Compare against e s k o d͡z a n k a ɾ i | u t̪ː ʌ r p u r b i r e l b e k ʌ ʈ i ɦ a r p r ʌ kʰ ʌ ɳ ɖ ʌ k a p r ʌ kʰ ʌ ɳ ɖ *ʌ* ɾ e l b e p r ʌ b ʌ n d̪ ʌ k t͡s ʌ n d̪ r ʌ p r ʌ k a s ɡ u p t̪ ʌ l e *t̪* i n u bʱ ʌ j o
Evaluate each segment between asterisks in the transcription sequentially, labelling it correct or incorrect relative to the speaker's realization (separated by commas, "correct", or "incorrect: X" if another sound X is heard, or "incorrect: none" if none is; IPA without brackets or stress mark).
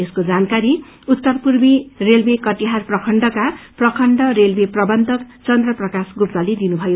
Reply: correct, incorrect: d̪